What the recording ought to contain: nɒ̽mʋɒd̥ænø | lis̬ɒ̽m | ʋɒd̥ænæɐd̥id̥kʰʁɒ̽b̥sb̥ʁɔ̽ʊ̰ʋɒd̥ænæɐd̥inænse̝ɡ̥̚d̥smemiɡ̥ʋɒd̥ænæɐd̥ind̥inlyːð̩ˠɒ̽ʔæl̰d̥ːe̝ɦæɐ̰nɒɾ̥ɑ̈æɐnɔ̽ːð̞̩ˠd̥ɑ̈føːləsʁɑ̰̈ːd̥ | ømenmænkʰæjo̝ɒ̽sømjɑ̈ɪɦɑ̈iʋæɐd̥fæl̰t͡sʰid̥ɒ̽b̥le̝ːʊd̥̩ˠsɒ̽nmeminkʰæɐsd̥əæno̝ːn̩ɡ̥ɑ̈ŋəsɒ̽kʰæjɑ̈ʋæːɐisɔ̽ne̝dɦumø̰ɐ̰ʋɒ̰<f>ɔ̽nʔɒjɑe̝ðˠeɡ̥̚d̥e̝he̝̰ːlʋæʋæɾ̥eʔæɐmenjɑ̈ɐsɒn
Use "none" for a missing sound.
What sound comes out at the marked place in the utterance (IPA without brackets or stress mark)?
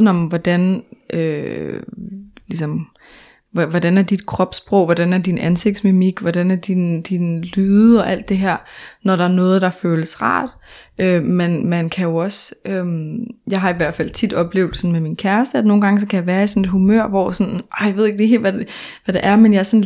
s